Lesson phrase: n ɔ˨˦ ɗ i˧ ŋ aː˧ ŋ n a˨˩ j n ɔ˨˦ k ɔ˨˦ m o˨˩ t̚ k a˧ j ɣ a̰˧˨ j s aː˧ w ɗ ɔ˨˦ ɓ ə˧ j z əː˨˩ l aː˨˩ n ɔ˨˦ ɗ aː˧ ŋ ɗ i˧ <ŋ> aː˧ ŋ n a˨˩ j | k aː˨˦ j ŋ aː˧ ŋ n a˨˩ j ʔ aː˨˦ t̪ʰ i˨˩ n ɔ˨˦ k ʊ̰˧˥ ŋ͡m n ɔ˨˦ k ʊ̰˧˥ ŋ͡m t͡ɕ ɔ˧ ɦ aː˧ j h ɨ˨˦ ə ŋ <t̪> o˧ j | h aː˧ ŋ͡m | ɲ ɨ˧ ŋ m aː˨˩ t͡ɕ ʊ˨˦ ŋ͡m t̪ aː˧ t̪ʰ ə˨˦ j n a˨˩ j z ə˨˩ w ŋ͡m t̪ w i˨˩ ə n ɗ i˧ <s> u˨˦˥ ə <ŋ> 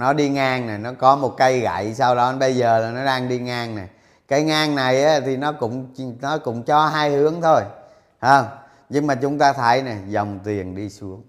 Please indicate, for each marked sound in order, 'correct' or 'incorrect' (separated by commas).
correct, incorrect, correct, correct